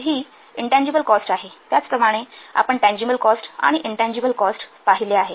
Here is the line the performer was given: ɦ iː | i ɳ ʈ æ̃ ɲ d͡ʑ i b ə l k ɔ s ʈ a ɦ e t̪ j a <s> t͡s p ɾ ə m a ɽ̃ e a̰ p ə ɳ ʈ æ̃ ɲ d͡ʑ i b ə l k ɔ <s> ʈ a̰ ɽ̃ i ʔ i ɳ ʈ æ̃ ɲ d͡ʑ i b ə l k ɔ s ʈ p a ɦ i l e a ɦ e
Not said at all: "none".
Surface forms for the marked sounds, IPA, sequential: none, s

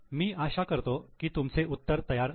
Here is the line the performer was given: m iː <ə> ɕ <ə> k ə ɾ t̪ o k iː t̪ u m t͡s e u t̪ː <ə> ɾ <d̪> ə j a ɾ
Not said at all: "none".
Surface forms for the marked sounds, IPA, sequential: a, a, ə, t̪

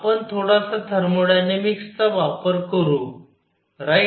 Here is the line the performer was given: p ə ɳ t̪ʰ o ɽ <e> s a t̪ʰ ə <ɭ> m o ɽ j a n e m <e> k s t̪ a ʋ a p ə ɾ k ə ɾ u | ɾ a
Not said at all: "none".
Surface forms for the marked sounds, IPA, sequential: a, ɾ, i

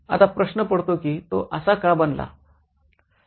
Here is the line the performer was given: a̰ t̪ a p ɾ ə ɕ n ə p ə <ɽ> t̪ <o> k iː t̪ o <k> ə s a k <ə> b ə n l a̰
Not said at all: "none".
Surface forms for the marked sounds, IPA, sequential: ɽ, o, ʔ, a

